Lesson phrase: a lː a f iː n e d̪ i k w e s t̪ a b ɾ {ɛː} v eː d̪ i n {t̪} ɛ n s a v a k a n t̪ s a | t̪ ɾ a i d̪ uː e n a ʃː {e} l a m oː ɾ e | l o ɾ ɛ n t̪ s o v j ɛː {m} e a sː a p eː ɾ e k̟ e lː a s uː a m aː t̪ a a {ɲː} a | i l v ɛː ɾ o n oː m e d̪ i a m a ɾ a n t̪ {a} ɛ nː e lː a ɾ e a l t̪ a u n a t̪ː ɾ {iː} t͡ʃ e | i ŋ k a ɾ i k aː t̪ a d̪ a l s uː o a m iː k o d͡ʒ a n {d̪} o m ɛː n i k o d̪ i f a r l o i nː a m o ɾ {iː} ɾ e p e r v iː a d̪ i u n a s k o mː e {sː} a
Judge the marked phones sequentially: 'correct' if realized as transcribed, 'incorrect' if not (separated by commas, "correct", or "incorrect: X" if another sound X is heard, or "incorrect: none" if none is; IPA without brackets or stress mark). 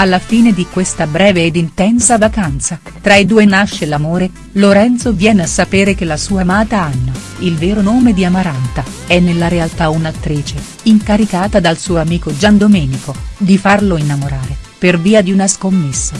correct, correct, correct, incorrect: n, incorrect: nː, correct, correct, correct, incorrect: aː, correct